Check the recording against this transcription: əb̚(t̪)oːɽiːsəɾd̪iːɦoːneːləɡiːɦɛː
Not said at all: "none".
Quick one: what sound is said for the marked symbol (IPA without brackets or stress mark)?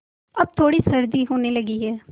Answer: t̪ʰ